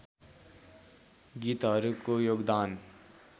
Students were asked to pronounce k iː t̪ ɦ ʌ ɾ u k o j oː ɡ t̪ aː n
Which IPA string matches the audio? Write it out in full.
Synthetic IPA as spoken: ɡ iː t̪ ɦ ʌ ɾ u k o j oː ɡ d̪ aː n